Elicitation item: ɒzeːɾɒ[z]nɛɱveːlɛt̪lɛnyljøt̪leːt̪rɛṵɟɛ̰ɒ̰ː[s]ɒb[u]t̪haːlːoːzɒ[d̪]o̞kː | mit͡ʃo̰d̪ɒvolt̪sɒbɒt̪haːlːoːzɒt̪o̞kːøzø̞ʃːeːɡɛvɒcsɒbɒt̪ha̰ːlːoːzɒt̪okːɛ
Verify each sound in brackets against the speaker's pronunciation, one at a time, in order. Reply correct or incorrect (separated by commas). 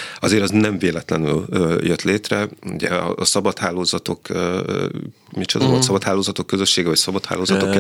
correct, correct, incorrect, incorrect